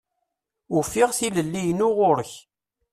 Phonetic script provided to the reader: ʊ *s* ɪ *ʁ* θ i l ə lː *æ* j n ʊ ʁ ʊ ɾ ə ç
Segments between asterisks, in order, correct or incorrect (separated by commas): incorrect, correct, incorrect